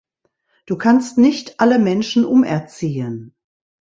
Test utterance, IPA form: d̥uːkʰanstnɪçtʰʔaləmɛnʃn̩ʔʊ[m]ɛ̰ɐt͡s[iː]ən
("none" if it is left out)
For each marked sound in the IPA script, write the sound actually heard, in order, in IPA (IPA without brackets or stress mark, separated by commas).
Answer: m, iː